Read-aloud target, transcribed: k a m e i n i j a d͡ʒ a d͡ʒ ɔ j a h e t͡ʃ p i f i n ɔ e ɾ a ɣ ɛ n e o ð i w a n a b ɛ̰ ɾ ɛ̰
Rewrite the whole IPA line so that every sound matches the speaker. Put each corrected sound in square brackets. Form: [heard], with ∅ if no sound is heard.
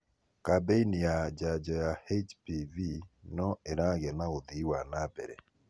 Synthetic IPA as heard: k a [b] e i n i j a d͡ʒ a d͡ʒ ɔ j a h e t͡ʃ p i [v] i n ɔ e ɾ a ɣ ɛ n [a] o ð i w a n a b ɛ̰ ɾ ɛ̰